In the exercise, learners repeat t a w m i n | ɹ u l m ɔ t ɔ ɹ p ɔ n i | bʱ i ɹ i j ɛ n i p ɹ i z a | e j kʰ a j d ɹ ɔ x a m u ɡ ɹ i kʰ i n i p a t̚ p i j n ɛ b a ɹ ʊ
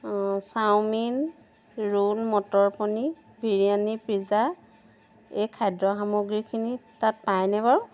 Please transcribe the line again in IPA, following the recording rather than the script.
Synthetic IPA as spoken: s a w m i n | ɹ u l m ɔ t ɔ ɹ p ɔ n i | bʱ i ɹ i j a n i p ɹ i z a | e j kʰ a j d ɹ ɔ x a m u ɡ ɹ i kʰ i n i t a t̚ p a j n ɛ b a ɹ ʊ